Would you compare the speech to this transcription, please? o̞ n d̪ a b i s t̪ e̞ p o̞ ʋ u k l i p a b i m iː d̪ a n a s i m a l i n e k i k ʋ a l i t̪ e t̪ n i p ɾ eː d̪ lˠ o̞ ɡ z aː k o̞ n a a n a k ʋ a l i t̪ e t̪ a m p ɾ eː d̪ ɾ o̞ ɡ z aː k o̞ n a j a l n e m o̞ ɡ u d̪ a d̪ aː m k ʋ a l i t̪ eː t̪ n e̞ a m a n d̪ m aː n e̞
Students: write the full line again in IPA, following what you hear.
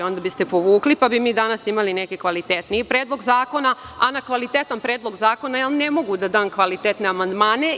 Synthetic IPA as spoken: o̞ n d̪ a b i s t̪ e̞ p o̞ ʋ uː k l i p a b i m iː d̪ a n a s i m a l i n e k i k ʋ a l i t̪ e t̪ n i p ɾ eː d̪ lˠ o̞ ɡ z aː k o̞ n a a n a k ʋ a l i t̪ e t̪ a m p ɾ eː d̪ l o̞ ɡ z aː k o̞ n a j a l n e m o̞ ɡ u d̪ a d̪ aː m k ʋ a l i t̪ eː t̪ n e̞ a m a n d̪ m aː n e̞